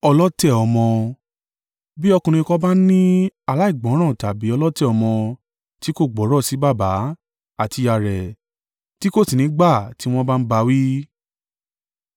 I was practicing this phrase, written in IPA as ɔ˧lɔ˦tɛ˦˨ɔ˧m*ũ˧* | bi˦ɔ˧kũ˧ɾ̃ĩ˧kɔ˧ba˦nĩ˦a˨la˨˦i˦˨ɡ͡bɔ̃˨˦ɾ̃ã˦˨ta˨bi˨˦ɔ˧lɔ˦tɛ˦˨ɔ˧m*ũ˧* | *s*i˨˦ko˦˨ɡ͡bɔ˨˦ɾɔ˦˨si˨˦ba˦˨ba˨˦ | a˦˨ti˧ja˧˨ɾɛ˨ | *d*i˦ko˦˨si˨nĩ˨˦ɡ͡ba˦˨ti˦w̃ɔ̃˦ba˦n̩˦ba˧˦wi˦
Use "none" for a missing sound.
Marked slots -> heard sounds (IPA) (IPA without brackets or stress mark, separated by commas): ɔ̃˧, ɔ̃˧, t, t